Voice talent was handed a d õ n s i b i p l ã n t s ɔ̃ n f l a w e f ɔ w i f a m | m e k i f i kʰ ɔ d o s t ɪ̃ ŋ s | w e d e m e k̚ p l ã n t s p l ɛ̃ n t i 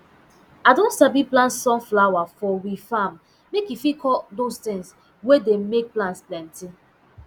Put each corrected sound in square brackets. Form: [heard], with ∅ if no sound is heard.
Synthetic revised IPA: a d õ n s [a] b i p l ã n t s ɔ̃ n f l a w [a] f ɔ w i f a m | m e k i f i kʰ ɔ d o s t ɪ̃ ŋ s | w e d e m e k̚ p l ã n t s p l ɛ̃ n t i